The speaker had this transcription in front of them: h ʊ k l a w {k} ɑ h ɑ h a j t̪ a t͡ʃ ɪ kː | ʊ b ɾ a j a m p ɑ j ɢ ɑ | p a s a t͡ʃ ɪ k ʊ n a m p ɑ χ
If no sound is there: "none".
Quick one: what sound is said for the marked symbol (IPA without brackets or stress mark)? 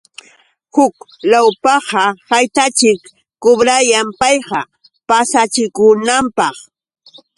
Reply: p